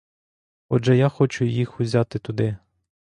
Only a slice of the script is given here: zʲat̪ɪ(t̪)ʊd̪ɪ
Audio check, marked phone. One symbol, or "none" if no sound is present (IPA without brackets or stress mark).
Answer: t̪